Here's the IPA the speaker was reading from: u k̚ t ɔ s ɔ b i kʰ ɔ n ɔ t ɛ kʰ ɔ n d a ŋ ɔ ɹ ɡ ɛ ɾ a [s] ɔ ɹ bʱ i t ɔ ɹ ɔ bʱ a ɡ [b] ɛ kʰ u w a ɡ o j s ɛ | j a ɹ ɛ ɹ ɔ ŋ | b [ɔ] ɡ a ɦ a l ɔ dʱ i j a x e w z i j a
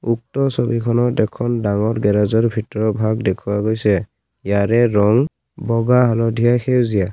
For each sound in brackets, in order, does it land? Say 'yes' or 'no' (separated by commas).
no, no, yes